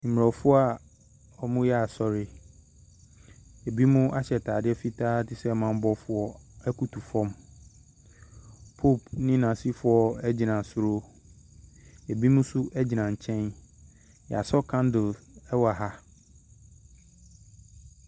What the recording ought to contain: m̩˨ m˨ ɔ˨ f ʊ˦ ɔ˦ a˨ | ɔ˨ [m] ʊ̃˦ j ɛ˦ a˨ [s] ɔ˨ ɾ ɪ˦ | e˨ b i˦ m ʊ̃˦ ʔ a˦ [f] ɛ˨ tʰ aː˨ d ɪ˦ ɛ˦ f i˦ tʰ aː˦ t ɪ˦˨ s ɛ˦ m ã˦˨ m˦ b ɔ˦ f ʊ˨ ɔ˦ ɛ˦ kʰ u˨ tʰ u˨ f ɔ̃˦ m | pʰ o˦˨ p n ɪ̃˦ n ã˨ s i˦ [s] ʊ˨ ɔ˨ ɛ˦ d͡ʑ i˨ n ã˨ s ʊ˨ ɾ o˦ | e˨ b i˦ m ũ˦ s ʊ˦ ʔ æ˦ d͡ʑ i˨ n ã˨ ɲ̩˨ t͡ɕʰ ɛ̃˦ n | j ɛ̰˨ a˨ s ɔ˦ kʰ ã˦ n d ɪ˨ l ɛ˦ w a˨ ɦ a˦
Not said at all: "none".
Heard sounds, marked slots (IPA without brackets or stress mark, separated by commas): m, s, ɕ, f